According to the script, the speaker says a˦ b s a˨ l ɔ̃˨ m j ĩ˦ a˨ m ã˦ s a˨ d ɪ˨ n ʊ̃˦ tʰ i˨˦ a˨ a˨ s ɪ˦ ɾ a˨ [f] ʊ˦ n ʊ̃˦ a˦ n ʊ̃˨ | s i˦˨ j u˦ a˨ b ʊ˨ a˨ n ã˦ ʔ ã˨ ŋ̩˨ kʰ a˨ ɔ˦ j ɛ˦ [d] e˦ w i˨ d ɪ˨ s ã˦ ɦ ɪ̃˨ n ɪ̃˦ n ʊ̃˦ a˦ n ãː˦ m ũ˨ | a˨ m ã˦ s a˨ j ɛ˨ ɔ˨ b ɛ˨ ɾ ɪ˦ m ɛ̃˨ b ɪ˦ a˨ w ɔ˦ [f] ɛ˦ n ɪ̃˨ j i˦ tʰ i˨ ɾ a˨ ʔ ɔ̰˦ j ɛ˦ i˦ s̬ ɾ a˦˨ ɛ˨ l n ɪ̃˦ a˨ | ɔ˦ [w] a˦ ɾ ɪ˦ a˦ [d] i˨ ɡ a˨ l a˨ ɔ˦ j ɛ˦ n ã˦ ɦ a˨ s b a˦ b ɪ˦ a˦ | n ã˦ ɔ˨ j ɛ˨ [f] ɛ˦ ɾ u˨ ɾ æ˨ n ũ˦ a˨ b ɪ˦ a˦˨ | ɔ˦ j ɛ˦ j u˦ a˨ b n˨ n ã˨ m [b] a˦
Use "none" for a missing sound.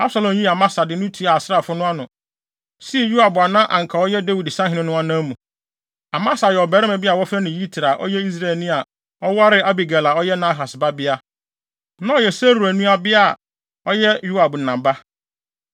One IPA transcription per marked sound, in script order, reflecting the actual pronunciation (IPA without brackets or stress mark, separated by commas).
f, d, f, w, b, s, b